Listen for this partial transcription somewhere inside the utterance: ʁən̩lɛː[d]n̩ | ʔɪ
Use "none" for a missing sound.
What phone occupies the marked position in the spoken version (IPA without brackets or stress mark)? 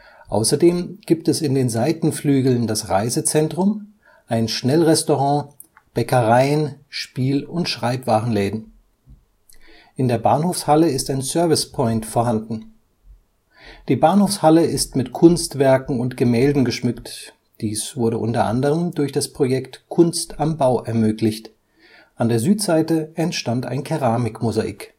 d